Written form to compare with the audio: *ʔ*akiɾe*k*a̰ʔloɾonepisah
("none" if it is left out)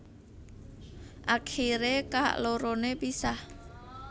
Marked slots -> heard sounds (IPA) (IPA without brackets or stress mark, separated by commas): ʔ, k